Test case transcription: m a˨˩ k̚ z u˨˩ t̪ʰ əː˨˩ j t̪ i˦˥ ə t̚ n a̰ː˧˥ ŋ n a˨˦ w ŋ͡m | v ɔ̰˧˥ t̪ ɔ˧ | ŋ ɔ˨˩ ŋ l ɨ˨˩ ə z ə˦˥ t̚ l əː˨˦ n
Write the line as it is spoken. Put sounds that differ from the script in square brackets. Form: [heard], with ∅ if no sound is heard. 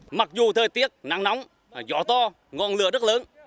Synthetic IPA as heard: m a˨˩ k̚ z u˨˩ t̪ʰ əː˨˩ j t̪ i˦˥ ə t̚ n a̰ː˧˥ ŋ n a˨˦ w ŋ͡m | [z] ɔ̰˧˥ t̪ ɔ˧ | ŋ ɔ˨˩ [n] l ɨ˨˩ ə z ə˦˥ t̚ l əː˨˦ n